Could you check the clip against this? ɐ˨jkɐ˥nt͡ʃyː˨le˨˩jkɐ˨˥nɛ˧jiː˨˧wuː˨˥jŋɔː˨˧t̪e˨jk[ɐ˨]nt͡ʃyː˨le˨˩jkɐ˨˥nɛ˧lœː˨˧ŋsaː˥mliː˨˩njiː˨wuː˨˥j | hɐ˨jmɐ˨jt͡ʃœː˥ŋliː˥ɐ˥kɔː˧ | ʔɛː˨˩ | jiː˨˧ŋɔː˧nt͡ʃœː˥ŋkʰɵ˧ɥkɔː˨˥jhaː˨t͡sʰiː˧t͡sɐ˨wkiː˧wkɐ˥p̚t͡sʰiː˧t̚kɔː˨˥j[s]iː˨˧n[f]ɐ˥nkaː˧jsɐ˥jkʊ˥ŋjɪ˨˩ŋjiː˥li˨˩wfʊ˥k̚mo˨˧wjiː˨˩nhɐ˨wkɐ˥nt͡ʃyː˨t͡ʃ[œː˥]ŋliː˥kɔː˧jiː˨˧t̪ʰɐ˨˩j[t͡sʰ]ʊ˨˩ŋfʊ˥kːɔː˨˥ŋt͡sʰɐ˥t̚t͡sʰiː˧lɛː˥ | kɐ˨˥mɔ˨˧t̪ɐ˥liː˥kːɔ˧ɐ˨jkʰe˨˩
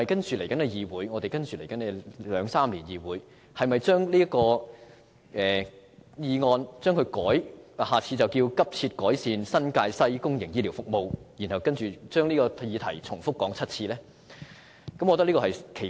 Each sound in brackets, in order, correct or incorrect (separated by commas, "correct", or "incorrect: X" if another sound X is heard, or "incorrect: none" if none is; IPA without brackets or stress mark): incorrect: ɐ˥, correct, incorrect: s, correct, correct